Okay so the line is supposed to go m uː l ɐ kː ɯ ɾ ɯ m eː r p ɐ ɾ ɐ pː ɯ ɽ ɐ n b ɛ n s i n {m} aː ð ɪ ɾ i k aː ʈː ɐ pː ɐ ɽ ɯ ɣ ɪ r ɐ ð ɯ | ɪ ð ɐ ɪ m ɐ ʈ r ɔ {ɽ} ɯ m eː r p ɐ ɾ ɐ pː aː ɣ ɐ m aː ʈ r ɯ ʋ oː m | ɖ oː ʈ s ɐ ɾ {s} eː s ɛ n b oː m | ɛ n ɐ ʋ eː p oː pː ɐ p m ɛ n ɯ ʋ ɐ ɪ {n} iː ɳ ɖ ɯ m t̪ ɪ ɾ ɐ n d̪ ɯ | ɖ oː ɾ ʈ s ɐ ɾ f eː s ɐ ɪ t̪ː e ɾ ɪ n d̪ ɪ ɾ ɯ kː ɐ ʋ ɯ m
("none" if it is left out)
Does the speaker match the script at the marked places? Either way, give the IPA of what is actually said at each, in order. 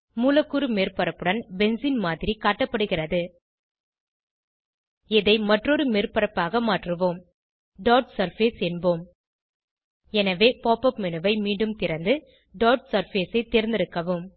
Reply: m, ɾ, f, m

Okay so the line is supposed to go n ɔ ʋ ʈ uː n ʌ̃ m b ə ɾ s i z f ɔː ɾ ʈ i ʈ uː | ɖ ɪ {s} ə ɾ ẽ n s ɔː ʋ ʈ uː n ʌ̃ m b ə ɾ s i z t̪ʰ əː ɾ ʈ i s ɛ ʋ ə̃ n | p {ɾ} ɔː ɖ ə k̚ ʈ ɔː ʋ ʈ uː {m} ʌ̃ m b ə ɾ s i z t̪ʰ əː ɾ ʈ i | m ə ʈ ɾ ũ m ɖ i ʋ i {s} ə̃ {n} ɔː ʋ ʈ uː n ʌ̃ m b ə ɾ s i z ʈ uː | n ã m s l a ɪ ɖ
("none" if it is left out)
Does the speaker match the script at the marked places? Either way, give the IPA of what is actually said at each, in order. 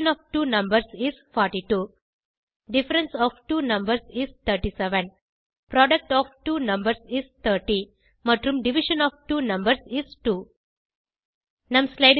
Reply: f, ɾ, n, ʃ, n

